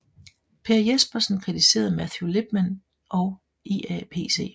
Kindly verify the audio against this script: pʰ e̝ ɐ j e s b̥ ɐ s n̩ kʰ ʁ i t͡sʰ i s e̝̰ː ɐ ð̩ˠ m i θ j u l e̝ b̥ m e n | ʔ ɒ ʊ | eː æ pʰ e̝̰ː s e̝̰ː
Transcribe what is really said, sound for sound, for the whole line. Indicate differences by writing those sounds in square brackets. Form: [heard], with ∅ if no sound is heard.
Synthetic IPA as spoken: pʰ e̝ ɐ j e s b̥ ɐ s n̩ kʰ ʁ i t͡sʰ i s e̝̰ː ɐ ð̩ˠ m [æ] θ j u l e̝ b̥ m [æ] n | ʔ ɒ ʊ | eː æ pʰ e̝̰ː s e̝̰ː